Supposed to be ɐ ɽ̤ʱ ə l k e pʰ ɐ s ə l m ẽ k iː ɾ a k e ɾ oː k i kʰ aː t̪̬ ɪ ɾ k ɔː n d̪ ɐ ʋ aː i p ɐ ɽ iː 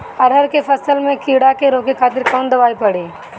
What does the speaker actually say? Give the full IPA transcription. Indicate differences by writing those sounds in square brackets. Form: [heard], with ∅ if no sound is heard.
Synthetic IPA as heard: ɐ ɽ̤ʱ ə [ɾ] k e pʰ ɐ s ə l m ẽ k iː [ɽ] a k e ɾ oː k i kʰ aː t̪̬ ɪ ɾ k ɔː n d̪ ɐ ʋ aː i p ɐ ɽ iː